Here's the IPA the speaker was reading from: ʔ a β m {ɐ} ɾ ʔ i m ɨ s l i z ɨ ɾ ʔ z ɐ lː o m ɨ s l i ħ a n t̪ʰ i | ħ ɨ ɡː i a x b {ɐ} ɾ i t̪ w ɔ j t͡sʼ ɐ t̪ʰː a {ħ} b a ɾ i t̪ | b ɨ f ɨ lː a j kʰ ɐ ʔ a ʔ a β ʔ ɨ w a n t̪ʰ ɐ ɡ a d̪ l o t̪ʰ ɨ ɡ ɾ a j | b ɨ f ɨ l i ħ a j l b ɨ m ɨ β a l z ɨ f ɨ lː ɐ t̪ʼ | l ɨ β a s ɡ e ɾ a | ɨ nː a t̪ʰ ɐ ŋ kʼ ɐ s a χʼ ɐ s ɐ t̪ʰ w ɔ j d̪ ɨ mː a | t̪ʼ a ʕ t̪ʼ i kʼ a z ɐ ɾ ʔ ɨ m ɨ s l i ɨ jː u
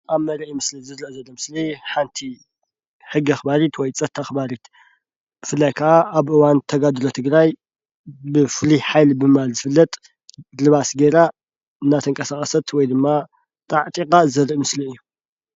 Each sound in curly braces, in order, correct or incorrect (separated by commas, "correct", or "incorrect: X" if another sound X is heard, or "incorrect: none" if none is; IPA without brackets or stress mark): correct, incorrect: a, incorrect: x